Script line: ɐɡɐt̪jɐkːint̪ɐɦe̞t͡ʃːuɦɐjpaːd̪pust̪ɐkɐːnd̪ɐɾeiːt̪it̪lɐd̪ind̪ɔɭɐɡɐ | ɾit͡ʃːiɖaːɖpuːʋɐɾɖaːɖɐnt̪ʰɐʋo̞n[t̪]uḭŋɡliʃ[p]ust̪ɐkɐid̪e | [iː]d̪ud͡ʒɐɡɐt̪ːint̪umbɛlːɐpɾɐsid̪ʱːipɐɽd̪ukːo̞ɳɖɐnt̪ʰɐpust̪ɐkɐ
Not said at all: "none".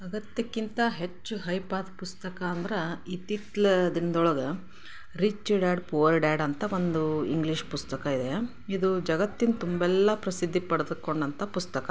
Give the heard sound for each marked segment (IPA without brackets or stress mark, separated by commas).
d̪, p, i